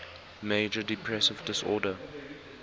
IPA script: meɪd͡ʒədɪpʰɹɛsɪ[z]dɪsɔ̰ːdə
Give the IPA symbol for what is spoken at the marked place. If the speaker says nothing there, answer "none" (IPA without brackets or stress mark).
v